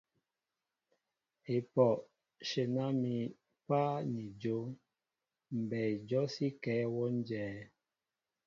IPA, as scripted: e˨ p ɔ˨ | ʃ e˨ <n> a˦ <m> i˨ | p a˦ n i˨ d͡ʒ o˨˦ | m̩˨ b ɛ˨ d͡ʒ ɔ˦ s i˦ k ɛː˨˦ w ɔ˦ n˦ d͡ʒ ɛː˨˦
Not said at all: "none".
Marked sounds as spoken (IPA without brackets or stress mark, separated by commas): n, m